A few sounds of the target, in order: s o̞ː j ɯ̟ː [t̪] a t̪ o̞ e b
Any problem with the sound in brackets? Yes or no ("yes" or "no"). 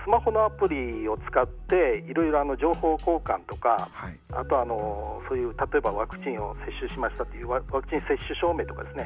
no